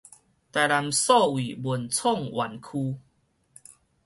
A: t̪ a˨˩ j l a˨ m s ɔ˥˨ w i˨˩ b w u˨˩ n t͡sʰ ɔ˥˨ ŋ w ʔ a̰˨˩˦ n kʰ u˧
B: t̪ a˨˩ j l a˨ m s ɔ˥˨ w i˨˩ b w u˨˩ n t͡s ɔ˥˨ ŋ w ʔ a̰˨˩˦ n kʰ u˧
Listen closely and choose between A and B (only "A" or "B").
A